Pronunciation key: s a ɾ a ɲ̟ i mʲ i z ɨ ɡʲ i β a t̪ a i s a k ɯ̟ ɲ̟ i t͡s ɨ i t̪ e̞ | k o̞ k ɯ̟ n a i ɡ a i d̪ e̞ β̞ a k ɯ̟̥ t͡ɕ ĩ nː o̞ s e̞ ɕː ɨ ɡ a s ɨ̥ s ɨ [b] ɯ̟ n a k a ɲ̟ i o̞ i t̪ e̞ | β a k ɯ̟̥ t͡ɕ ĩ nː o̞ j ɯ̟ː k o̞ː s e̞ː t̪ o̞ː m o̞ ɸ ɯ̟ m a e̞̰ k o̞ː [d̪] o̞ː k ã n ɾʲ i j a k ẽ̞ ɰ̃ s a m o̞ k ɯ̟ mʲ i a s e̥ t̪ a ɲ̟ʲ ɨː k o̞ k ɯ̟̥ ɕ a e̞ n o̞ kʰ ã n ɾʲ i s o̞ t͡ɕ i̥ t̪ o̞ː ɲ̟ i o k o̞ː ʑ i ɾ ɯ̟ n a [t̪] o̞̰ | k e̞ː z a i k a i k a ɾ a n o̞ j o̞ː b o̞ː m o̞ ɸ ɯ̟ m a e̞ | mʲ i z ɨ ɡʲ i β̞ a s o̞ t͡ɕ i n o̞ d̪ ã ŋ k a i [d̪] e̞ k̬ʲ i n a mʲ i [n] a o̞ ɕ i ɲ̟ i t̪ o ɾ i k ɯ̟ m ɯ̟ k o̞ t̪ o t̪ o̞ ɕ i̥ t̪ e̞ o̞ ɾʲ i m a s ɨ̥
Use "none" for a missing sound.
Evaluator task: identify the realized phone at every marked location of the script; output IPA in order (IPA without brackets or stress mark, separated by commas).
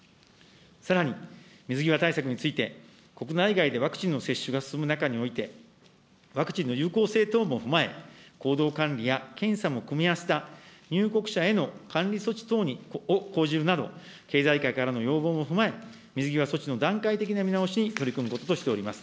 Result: m, d̪, d̪, t̪, n